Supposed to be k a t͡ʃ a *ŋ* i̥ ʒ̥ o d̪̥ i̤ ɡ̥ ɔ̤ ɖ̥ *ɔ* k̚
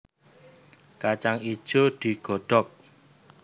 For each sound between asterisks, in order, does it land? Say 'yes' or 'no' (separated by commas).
yes, yes